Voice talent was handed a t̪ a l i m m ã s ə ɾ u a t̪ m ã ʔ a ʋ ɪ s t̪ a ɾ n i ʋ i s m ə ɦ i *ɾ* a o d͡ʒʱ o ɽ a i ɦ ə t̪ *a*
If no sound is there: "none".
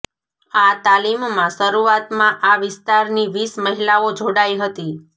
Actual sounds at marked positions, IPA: l, i

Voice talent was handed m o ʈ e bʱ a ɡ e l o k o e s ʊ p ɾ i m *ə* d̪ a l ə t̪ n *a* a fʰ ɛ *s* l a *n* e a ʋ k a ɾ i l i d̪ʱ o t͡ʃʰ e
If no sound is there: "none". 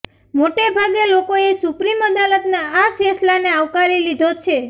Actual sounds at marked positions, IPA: ə, a, s, n

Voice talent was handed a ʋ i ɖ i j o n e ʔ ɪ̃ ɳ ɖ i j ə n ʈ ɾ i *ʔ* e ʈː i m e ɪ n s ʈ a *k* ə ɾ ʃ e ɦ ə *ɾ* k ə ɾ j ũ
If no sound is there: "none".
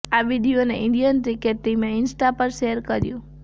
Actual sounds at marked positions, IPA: k, p, ɾ

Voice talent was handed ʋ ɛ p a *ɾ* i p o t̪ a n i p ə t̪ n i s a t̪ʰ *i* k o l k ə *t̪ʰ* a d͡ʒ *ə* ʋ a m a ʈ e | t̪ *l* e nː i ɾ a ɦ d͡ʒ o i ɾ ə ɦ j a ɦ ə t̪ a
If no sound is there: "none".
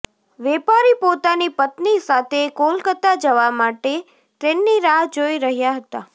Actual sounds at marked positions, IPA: ɾ, e, t̪, ə, ɾ

